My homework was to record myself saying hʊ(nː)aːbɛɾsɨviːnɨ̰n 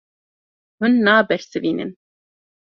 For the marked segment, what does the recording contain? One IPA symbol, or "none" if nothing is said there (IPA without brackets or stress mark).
nː